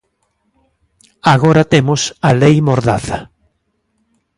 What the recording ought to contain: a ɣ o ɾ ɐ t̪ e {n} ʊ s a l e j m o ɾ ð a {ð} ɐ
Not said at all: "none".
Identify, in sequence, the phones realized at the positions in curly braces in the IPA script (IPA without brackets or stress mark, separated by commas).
m, θ